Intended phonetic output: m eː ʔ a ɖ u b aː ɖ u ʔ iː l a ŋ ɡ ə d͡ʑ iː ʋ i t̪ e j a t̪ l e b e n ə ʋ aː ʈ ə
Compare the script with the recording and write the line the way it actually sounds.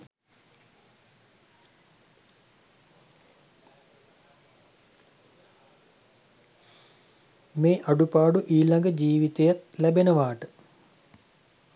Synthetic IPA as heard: m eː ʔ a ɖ u p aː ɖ u ʔ iː l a ŋ ɡ ə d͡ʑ iː ʋ i t̪ e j a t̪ l æ b e n ə ʋ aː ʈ ə